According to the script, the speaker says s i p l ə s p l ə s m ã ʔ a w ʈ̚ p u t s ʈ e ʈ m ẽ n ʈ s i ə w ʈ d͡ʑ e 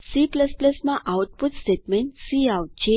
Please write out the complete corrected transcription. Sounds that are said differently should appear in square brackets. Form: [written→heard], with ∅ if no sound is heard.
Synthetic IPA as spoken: s i p l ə s p l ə s m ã ʔ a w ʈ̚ p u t s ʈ e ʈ m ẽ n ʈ s i [ə→a] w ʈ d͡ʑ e